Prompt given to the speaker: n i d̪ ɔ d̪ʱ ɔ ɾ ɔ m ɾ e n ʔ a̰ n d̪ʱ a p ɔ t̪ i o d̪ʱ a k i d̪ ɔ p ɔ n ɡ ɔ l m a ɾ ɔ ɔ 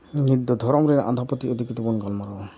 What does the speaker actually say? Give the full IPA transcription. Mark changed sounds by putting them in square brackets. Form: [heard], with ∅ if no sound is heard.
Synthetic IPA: n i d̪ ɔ d̪ʱ ɔ ɾ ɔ m ɾ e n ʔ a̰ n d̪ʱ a p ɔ t̪ i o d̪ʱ [i] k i [t̪] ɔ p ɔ n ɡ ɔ l m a ɾ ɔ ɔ

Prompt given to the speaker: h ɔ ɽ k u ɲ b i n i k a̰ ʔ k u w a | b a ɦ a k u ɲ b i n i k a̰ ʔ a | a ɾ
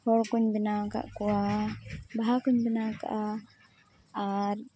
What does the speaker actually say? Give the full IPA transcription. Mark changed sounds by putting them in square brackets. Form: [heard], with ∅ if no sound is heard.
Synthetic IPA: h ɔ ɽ k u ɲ b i n [a] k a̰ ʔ k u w a | b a ɦ a k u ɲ b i n [a] k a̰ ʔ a | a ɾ

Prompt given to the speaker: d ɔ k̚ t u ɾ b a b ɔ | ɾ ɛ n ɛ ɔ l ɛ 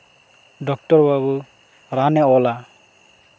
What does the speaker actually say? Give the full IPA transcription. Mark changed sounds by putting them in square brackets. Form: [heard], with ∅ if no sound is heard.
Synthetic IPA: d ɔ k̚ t [ɔ] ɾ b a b [u] | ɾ [a] n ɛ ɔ l [a]

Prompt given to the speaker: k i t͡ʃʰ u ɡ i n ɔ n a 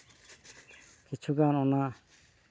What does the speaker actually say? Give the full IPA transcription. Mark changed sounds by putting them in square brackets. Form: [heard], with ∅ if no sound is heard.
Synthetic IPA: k i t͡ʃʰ u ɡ [a] n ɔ n a

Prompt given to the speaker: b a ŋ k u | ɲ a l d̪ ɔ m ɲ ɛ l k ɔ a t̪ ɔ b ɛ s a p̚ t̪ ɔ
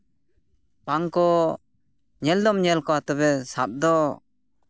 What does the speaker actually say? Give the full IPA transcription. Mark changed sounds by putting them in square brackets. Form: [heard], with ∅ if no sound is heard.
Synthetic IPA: [p] a ŋ k [ɔ] | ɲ [ɛ] l d̪ ɔ m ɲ ɛ l k ɔ a t̪ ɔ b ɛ s a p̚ [d̪] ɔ

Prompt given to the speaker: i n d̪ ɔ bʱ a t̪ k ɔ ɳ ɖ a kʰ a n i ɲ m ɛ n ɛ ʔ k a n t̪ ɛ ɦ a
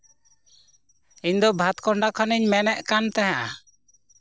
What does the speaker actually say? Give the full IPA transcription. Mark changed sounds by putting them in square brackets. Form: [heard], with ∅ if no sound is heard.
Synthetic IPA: i [ɲ] d̪ ɔ bʱ a t̪ k ɔ ɳ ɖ a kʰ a n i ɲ m ɛ n ɛ ʔ k a n t̪ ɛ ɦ a

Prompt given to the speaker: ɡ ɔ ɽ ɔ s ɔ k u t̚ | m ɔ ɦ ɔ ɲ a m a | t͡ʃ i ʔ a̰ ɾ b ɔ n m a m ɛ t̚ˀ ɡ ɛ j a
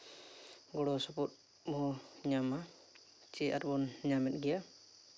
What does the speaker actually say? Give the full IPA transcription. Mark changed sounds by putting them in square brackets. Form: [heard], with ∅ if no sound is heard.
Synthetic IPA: ɡ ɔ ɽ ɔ s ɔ [p] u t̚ | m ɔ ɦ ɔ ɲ a m a | t͡ʃ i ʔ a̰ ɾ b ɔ n [ɲ] a m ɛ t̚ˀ ɡ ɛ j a

